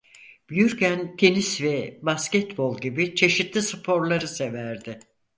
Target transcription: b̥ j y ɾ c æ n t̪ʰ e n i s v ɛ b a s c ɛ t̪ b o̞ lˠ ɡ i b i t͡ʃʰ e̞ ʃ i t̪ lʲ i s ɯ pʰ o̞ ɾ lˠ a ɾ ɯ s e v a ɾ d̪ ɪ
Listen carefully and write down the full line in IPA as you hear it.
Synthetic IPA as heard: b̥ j y ɾ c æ n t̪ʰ e n i s v ɛ b a s c ɛ t̪ b o̞ lˠ ɟ i b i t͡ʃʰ e̞ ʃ i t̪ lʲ i s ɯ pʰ o̞ ɾ lˠ a ɾ ɯ s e v æ ɾ d̪ ɪ